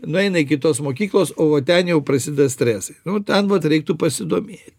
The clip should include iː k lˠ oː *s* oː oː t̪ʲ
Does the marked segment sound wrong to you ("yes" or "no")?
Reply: no